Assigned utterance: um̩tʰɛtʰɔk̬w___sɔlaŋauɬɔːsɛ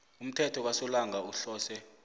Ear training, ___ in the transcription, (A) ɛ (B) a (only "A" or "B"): B